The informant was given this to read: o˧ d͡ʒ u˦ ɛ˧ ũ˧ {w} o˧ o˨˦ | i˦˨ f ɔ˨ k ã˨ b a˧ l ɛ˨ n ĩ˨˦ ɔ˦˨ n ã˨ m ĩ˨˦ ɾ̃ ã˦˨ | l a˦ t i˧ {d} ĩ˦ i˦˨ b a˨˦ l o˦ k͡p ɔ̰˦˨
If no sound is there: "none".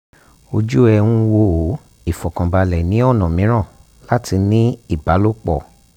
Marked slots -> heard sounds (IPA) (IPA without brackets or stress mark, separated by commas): w, n